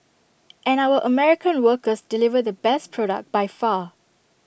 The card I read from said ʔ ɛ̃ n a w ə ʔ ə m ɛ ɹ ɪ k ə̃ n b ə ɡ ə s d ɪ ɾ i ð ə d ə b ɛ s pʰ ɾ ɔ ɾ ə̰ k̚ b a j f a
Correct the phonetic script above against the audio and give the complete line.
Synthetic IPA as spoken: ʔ ɛ̃ n a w ə ʔ ə m ɛ ɹ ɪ k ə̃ n w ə k ə s d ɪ l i v ə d ə b ɛ s pʰ ɹ ɔ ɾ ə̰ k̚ b a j f a